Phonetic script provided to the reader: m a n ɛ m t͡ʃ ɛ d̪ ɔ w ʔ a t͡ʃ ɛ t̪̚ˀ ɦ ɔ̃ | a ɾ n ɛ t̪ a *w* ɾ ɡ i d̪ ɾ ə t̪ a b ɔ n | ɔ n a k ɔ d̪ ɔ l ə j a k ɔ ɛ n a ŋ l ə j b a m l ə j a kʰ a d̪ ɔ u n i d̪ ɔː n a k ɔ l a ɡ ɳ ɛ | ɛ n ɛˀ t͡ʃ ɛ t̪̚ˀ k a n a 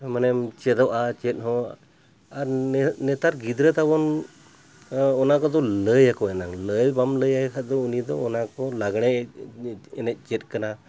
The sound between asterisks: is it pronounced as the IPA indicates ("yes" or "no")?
no